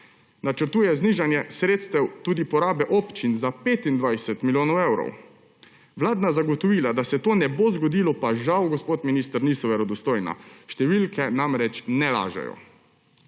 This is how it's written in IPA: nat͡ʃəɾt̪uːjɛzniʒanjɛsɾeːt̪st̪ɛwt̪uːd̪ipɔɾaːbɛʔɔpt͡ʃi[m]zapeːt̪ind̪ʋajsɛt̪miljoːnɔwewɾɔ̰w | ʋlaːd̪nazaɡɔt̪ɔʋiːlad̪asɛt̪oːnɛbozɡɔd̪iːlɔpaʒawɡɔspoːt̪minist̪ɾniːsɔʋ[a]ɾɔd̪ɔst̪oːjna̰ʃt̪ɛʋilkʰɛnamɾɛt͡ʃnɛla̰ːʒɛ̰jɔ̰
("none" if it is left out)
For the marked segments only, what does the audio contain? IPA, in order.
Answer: n, ɛ

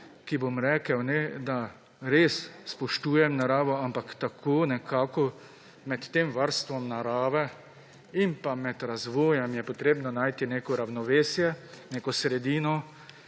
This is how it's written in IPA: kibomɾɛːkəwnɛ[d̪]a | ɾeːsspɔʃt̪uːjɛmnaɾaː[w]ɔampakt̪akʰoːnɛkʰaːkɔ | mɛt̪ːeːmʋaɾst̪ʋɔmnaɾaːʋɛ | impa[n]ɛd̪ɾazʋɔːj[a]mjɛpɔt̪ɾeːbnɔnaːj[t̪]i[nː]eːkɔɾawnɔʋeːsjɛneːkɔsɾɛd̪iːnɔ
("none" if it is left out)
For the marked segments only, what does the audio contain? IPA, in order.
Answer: d̪, ʋ, m, ɛ, t̪, n

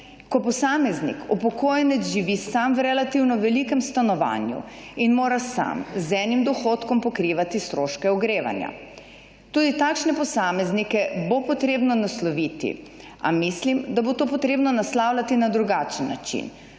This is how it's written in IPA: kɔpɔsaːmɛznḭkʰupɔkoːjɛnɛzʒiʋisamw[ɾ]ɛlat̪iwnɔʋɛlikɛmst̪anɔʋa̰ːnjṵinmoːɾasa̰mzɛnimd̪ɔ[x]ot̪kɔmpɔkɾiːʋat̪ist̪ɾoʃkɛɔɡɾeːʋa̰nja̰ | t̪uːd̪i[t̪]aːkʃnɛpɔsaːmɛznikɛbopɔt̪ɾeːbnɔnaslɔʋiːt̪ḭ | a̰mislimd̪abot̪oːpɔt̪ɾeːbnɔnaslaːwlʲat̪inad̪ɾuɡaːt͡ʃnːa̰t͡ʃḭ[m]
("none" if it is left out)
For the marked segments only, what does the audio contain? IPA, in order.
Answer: ɾ, x, t̪, n

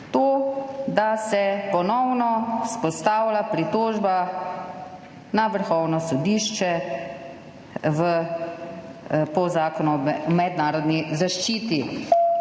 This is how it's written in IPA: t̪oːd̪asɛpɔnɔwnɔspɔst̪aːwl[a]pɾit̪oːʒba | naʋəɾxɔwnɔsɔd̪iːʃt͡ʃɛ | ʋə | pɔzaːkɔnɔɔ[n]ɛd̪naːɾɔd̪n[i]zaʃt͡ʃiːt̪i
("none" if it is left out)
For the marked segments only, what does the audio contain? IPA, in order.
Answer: a, m, i

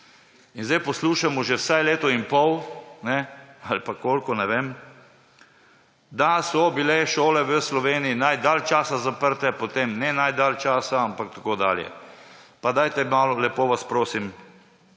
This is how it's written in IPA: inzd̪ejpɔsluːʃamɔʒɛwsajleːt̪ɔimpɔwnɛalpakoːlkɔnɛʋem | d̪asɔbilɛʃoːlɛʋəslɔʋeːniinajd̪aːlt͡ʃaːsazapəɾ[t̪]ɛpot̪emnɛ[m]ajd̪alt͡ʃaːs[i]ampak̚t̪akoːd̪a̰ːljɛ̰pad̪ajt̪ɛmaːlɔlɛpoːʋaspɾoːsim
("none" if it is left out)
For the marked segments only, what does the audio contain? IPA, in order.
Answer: t̪, n, a

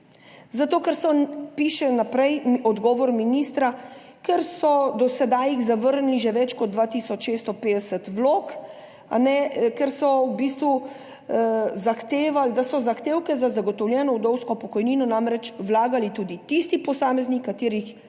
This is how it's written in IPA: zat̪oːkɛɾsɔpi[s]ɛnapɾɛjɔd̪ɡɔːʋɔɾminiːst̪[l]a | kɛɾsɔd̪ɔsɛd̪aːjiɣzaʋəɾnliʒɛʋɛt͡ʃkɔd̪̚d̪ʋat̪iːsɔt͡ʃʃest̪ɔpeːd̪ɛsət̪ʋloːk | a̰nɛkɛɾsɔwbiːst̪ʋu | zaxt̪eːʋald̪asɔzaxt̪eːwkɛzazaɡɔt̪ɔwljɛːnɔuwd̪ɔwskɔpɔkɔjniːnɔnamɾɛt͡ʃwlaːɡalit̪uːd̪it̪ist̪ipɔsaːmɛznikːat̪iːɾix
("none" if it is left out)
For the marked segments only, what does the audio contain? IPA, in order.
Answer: ʃ, ɾ

